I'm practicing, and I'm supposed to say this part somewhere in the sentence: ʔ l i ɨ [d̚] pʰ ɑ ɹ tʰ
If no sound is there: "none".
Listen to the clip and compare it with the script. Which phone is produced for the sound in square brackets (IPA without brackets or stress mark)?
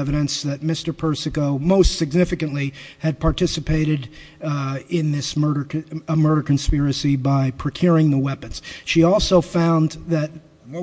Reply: d̚